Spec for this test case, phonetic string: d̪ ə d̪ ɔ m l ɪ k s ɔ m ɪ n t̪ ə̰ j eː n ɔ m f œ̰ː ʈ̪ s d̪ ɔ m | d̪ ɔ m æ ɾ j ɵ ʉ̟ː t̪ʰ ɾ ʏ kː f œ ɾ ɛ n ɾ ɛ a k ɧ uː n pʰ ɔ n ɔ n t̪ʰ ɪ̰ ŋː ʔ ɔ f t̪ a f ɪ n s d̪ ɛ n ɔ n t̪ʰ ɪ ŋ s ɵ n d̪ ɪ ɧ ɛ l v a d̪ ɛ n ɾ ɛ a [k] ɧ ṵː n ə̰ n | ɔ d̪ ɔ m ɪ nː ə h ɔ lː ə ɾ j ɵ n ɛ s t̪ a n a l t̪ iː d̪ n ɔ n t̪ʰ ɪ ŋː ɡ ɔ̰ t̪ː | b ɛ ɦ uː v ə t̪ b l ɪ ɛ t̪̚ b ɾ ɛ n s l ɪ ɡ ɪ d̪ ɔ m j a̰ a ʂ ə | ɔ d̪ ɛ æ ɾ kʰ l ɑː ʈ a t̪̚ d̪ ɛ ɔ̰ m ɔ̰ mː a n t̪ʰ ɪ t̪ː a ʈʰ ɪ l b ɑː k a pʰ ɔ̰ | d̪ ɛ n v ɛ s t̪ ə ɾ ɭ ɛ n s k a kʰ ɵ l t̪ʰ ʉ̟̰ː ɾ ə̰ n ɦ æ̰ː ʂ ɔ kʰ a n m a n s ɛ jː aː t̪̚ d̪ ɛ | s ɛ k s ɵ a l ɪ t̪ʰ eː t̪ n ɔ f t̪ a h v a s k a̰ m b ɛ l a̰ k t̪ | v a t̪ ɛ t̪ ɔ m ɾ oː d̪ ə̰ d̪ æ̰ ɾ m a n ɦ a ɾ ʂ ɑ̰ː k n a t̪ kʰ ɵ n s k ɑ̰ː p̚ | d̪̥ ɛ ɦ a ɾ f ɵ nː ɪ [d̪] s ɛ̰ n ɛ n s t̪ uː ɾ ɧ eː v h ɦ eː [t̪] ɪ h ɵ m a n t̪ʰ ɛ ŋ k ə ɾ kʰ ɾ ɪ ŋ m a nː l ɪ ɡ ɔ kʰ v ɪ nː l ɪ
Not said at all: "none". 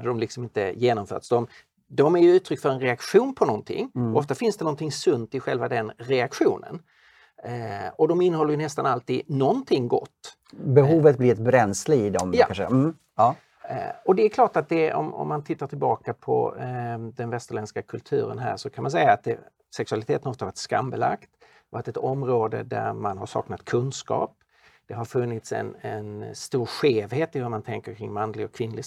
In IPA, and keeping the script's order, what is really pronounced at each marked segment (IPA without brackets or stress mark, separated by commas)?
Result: k, t̪, t̪